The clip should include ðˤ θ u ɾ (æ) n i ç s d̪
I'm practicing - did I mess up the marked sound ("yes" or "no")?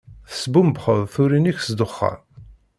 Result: yes